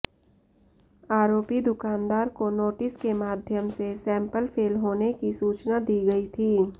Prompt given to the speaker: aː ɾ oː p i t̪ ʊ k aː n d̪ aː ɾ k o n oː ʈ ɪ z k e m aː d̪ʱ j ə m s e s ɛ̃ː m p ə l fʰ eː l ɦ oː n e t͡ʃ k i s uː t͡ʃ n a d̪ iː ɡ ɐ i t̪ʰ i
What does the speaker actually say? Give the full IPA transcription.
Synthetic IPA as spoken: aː ɾ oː p i d̪ ʊ k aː n d̪ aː ɾ k o n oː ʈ ɪ s k e m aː d̪ʱ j ə m s e s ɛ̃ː m p ə l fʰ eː l ɦ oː n e k i s uː t͡ʃ n a d̪ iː ɡ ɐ i t̪ʰ iː

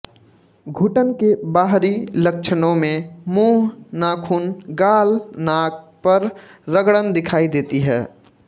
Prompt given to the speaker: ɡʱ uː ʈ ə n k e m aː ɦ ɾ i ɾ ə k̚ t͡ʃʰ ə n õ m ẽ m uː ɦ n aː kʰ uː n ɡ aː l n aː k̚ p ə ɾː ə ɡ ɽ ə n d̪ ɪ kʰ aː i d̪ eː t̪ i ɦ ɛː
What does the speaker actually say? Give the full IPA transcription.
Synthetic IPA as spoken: ɡʱ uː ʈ ə n k e b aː ɦ ɾ i l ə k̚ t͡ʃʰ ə n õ m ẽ m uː ɦ n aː kʰ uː n ɡ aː l n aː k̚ p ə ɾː ə ɡ ɽ ə n d̪ ɪ kʰ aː i d̪ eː t̪ i ɦ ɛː

